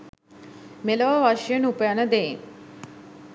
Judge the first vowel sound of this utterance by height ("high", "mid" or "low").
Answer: mid